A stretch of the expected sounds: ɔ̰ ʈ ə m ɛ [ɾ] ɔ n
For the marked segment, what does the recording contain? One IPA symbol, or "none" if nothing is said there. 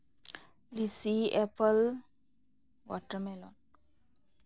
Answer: l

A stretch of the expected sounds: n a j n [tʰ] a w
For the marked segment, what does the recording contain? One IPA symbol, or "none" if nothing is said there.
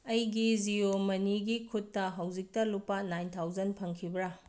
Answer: tʰ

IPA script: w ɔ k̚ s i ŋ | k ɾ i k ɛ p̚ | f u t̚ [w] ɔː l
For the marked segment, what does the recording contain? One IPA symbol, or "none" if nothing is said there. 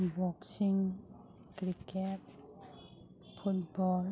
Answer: b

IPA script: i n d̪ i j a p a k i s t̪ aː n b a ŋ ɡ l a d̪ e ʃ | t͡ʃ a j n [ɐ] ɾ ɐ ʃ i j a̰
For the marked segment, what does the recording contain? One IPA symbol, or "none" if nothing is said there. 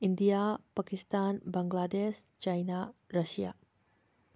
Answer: a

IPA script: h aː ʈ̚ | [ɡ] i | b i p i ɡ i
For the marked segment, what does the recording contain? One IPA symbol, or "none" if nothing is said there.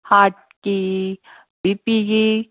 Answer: k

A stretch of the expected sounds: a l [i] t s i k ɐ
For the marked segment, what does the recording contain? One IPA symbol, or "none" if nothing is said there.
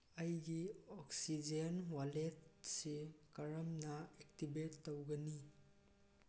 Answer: e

